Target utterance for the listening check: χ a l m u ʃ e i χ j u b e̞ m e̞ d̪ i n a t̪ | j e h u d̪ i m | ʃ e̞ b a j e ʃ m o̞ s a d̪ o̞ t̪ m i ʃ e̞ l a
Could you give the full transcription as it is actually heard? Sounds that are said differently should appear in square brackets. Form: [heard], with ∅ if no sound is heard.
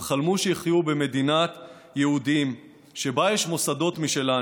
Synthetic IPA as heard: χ a l m u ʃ e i χ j u b e̞ m e̞ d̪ i n a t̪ | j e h u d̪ i m | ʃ e̞ b a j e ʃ m o̞ s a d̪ o̞ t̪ m i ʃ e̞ l a